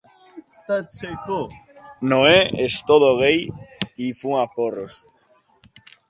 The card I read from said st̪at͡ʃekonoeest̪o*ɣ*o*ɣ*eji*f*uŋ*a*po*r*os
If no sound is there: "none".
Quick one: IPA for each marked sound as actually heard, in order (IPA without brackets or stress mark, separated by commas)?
ð, ɣ, f, a, r